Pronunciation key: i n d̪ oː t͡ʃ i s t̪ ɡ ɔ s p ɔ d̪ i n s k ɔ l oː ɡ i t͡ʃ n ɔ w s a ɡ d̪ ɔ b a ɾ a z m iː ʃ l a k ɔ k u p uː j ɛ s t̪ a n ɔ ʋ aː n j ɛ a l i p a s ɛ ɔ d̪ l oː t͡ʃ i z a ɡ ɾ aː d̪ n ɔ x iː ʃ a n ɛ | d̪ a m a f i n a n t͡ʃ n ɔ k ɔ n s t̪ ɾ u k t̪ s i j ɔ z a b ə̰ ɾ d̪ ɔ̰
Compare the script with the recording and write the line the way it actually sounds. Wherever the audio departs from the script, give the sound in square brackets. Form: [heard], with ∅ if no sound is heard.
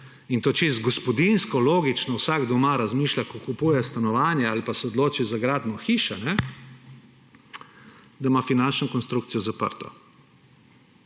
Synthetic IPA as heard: i n [t̪] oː t͡ʃ i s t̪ ɡ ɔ s p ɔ d̪ i n s k ɔ l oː ɡ i t͡ʃ n ɔ w s a ɡ d̪ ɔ [m] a ɾ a z m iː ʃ l a k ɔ k u p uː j ɛ s t̪ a n ɔ ʋ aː n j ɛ a l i p a s ɛ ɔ d̪ l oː t͡ʃ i z a ɡ ɾ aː d̪ n ɔ x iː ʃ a n ɛ | d̪ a m a f i n a n t͡ʃ n ɔ k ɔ n s t̪ ɾ u k t̪ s i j ɔ z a [p] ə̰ ɾ [t̪] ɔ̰